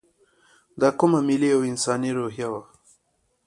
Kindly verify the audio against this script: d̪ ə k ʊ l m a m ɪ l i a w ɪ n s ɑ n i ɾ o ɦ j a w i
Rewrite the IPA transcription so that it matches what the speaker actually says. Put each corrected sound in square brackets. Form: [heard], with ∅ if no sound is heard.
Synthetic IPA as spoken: d̪ [ɑ] k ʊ [∅] m a m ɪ l i a w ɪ n s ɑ n i ɾ o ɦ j a w [a]